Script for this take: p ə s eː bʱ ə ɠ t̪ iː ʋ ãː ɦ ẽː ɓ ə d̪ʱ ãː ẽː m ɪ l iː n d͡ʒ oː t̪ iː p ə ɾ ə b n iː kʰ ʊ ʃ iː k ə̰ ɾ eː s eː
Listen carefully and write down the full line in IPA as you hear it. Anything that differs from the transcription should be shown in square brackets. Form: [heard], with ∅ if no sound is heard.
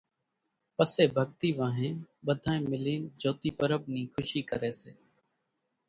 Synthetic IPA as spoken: p ə s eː bʱ ə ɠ t̪ iː ʋ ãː ɦ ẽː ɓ ə d̪ʱ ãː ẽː m ɪ l iː n d͡ʒ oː t̪ iː p ə ɾ ə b n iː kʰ ʊ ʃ iː k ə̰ ɾ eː s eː